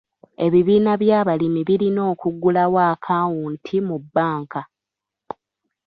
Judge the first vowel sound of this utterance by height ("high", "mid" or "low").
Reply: mid